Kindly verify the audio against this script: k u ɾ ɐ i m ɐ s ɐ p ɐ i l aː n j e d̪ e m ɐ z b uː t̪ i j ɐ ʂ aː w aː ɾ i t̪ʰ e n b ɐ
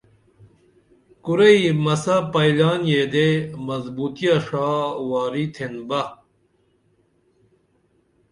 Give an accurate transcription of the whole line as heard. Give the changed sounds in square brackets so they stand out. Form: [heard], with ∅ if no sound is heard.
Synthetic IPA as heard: k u ɾ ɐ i m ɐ s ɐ p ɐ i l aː n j e d̪ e m ɐ z b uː t̪ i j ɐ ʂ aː w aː ɾ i t̪ʰ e n b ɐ